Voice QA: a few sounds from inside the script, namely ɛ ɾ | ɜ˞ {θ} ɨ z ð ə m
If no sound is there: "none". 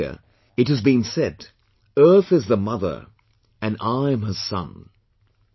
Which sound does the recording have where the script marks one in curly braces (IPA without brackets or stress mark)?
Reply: θ